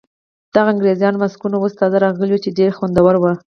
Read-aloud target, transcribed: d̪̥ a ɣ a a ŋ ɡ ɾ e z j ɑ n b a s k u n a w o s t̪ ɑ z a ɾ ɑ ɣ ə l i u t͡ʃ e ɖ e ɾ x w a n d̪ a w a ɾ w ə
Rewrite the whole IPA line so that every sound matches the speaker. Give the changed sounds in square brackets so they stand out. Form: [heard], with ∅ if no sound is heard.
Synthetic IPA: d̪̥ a ɣ a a ŋ ɡ ɾ e z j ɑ n [m] a s k u n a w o s t̪ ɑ z a ɾ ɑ ɣ ə l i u t͡ʃ e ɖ e ɾ x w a n d̪ a w a ɾ w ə